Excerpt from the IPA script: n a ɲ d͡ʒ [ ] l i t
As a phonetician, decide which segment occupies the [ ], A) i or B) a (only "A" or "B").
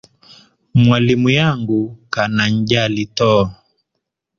B